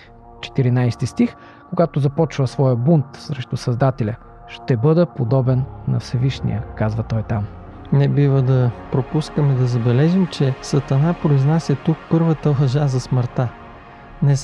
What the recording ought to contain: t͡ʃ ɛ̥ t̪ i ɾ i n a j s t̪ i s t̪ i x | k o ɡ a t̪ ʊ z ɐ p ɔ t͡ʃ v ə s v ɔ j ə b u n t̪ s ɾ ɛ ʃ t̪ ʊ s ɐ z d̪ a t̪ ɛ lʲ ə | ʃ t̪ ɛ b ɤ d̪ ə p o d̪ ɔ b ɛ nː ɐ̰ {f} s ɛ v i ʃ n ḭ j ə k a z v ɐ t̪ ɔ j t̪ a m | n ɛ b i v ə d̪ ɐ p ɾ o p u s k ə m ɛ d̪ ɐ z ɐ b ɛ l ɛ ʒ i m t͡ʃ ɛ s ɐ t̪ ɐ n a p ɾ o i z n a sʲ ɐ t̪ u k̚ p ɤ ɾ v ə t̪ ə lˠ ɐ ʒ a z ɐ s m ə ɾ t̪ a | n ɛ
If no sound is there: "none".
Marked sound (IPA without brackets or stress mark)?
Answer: f